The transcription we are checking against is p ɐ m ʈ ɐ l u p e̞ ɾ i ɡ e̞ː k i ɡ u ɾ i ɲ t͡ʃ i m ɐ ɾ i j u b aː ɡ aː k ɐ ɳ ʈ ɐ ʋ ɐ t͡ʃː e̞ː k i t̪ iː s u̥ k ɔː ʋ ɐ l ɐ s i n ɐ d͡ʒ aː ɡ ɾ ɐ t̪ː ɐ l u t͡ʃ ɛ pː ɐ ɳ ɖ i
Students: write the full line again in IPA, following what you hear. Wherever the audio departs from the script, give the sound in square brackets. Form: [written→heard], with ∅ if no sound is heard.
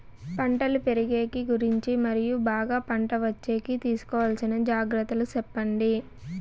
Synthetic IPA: p ɐ [m→ɳ] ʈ ɐ l u p e̞ ɾ i ɡ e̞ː k i ɡ u ɾ i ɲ t͡ʃ i m ɐ ɾ i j u b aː ɡ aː [k→p] ɐ ɳ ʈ ɐ ʋ ɐ t͡ʃː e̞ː k i t̪ iː s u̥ k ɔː ʋ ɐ l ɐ s i n ɐ d͡ʒ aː ɡ ɾ ɐ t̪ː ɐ l u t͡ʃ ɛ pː ɐ ɳ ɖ i